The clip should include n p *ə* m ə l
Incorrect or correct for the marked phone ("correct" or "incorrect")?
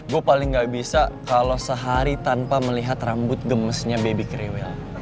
incorrect